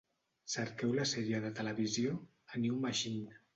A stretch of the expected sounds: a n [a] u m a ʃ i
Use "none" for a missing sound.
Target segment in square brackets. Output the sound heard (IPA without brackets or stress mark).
i